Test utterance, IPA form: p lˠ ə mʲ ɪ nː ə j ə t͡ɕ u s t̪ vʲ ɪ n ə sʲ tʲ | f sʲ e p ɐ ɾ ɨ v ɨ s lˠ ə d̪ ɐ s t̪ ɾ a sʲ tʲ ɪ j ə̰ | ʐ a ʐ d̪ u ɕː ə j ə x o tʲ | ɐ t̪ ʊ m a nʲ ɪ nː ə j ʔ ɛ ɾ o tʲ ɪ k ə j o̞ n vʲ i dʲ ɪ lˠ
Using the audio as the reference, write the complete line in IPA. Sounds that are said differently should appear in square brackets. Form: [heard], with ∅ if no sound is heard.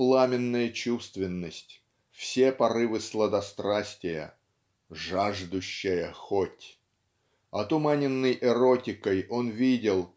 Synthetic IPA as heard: p lˠ [a] mʲ ɪ nː ə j ə t͡ɕ u s t̪ vʲ ɪ [nː] ə sʲ tʲ | f sʲ e p ɐ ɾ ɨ v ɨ s lˠ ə d̪ ɐ s t̪ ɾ a sʲ tʲ ɪ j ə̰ | ʐ a ʐ d̪ [ʊ] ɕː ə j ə x o tʲ | ɐ t̪ ʊ m a nʲ ɪ nː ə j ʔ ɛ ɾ o tʲ ɪ k ə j o̞ n vʲ i dʲ ɪ lˠ